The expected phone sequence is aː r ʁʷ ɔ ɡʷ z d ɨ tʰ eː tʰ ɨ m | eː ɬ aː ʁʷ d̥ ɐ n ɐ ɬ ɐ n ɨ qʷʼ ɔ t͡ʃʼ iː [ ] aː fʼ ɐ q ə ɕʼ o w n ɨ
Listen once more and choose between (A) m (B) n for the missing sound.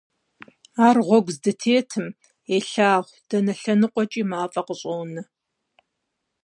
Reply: A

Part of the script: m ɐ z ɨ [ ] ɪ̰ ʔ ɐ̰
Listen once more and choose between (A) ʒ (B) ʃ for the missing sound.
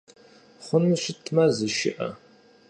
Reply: B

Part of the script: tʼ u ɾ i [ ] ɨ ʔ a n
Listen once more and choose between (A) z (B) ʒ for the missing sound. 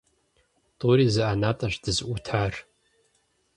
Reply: A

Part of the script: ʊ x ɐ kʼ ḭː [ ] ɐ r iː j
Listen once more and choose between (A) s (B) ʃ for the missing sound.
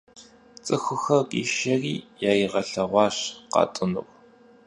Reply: B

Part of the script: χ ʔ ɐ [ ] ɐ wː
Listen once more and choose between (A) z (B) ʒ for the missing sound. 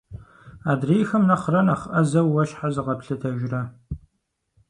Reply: A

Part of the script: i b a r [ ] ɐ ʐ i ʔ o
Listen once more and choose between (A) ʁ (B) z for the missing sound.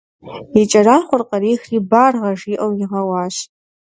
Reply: A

